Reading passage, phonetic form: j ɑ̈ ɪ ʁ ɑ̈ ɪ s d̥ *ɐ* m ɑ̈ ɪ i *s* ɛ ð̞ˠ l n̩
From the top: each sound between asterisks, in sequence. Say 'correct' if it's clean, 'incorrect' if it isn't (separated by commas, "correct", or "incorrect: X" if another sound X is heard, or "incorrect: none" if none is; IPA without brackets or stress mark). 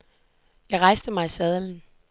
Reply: incorrect: ə, correct